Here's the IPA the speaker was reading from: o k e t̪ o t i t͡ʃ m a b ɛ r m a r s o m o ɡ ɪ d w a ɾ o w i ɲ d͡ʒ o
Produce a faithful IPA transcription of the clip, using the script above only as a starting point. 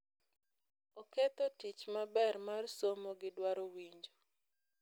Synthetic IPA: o k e t̪ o t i t͡ʃ m a b ɛ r m a r s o m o ɡ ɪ d w a ɾ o w i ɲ d͡ʒ o